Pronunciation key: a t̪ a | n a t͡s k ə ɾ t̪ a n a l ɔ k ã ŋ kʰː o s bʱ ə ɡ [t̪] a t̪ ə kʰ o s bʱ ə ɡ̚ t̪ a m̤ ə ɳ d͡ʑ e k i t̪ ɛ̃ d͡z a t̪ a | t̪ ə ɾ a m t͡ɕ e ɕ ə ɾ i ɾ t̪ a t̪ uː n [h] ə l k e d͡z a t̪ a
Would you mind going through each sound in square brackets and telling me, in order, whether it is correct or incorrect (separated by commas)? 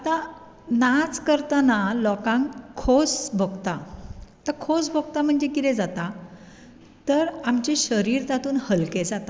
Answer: correct, correct